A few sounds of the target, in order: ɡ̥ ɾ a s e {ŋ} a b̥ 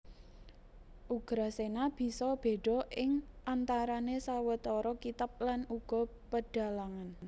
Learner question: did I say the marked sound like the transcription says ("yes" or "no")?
no